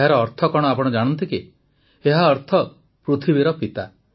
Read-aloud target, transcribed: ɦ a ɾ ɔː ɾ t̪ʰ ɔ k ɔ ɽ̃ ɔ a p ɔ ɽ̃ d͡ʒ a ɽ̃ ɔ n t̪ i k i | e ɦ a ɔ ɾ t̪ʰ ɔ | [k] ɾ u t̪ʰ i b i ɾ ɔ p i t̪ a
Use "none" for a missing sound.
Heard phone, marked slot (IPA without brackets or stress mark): p